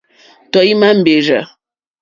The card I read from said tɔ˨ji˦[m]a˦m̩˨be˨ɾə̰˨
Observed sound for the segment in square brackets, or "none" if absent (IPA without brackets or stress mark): m